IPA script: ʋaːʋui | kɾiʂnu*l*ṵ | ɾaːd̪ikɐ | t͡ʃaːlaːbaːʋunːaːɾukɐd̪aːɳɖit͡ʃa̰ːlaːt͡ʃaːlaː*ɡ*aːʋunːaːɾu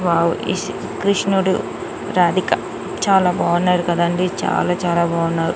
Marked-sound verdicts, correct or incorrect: incorrect: ɽ, incorrect: b

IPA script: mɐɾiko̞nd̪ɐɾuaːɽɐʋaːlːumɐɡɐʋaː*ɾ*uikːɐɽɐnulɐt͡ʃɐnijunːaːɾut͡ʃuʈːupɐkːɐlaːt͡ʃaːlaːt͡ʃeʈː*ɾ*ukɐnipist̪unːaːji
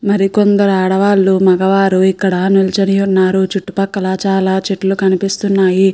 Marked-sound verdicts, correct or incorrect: correct, incorrect: l

